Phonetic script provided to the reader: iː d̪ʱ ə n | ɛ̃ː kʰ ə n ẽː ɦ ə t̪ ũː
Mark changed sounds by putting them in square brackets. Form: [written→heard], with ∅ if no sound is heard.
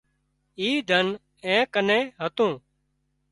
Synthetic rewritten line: iː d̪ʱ ə n | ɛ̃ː [kʰ→k] ə n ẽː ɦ ə t̪ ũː